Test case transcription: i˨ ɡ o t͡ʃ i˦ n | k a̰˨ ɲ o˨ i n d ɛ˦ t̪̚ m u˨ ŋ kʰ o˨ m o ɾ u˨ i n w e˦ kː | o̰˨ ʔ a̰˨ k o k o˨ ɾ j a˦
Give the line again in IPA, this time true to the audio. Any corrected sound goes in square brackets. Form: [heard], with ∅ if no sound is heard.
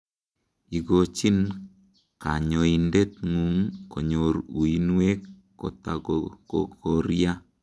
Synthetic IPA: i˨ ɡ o t͡ʃ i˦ n | k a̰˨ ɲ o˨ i n d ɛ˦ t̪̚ [ŋ] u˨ ŋ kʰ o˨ [ɲ] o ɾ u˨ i n w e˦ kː | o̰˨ [t] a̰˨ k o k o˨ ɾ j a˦